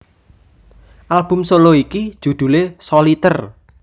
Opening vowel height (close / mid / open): open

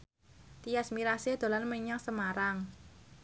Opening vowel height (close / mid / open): close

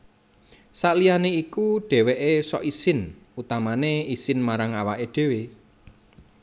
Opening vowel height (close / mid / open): open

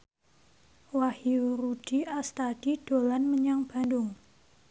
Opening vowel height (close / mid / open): open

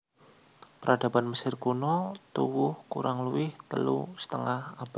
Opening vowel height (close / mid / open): mid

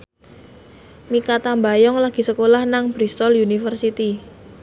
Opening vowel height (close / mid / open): close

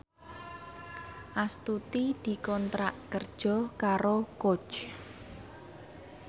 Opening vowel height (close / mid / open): open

